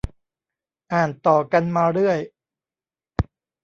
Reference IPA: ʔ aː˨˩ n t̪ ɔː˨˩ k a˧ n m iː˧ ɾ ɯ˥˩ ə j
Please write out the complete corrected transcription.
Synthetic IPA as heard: ʔ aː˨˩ n t̪ ɔː˨˩ k a˧ n m aː˧ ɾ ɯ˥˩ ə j